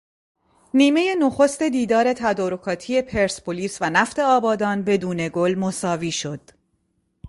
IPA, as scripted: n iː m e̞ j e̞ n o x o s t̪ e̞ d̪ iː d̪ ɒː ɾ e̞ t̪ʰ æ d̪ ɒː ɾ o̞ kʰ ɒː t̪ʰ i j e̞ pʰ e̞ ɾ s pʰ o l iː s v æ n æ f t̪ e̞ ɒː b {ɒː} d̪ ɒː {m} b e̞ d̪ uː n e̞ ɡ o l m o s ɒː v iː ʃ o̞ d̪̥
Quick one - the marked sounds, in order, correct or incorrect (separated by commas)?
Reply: correct, incorrect